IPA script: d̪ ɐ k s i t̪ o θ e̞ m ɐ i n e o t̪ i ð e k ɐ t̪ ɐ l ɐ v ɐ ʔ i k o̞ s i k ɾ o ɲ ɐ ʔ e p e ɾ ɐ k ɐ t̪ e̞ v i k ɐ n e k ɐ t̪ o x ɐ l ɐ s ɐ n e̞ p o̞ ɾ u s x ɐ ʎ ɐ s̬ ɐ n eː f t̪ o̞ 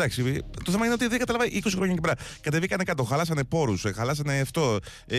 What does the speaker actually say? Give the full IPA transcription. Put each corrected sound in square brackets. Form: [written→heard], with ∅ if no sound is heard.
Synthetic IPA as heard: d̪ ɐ k s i t̪ o θ e̞ m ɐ i n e o t̪ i ð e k ɐ t̪ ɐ l ɐ v ɐ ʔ i k o̞ s i [k→x] ɾ o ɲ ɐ [ʔ→c] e p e ɾ ɐ k ɐ t̪ e̞ v i k ɐ n e k ɐ t̪ o x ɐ l ɐ s ɐ n e̞ p o̞ ɾ u s x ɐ [ʎ→l] ɐ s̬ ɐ n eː f t̪ o̞